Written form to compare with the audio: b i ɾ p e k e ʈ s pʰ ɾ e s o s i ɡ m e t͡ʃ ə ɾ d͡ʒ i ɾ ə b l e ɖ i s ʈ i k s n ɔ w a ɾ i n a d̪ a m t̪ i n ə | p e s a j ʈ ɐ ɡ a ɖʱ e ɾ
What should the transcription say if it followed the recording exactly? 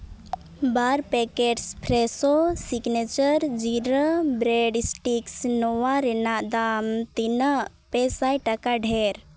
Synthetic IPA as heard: b a ɾ p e k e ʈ s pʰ ɾ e s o s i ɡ n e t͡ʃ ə ɾ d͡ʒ i ɾ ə b ɾ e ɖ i s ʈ i k s n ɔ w a ɾ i n a d̪ a m t̪ i n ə | p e s a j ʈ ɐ k a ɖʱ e ɾ

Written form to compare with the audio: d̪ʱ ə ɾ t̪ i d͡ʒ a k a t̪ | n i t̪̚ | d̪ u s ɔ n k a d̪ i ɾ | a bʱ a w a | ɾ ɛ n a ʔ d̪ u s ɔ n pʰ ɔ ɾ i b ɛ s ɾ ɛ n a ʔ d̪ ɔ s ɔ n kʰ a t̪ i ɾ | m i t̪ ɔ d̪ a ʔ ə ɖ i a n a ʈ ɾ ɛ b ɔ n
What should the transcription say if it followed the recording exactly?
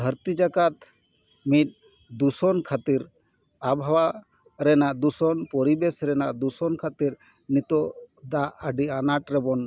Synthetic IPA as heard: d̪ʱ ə ɾ t̪ i d͡ʒ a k a t̪ | m i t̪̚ | d̪ u s ɔ n kʰ a t̪ i ɾ | a bʱ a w a | ɾ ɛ n a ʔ d̪ u s ɔ n p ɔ ɾ i b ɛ s ɾ ɛ n a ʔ d̪ u s ɔ n kʰ a t̪ i ɾ | n i t̪ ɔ d̪ a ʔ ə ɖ i a n a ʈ ɾ ɛ b ɔ n

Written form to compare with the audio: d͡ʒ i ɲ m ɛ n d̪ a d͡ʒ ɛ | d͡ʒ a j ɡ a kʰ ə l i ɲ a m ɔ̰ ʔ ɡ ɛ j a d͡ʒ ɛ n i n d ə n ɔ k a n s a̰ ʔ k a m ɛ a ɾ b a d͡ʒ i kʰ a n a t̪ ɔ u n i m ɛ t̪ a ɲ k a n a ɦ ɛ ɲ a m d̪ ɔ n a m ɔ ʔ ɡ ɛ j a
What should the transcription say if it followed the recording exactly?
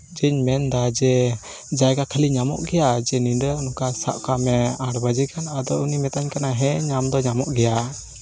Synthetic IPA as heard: d͡ʒ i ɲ m ɛ n d̪ a d͡ʒ ɛ | d͡ʒ a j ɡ a kʰ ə l i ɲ a m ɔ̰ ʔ ɡ ɛ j a d͡ʒ ɛ n i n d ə n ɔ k a s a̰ ʔ k a m ɛ a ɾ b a d͡ʒ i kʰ a n a d̪ ɔ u n i m ɛ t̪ a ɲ k a n a ɦ ɛ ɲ a m d̪ ɔ ɲ a m ɔ ʔ ɡ ɛ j a

